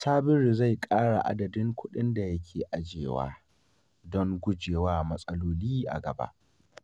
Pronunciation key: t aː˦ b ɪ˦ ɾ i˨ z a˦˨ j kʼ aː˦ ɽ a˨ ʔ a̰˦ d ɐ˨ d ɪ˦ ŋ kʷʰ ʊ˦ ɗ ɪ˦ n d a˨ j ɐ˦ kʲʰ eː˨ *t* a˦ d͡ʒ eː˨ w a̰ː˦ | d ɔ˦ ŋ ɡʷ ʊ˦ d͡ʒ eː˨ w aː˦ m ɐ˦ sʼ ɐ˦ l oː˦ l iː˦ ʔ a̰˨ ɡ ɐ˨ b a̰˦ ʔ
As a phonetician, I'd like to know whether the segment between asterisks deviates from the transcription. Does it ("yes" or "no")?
yes